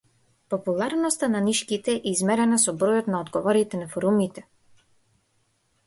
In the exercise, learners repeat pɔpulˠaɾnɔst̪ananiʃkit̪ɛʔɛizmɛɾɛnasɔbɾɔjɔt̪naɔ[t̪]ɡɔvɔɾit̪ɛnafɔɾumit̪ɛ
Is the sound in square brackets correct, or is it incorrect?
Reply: incorrect